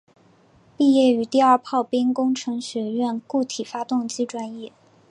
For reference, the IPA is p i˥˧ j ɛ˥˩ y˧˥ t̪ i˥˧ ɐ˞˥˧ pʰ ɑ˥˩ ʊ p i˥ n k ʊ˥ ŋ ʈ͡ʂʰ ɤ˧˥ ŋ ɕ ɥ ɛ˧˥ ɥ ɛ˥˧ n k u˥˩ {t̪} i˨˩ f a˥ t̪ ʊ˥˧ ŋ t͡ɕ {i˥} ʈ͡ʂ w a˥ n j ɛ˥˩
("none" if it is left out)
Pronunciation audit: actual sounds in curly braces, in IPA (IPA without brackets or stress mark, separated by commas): t̪ʰ, i˥